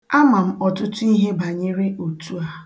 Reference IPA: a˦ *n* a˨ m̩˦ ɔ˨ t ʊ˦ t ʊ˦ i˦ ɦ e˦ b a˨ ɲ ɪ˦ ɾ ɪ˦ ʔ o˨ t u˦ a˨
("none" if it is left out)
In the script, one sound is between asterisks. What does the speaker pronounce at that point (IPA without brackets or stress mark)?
m